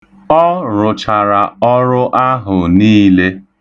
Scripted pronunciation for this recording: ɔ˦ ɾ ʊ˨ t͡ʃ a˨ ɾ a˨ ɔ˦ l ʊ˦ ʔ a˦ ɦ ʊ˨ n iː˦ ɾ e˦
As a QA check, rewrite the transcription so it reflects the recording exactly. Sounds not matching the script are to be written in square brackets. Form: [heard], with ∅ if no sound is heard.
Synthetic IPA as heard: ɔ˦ ɾ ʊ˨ t͡ʃ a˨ ɾ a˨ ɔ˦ [ɾ] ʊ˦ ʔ a˦ ɦ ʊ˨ n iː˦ [l] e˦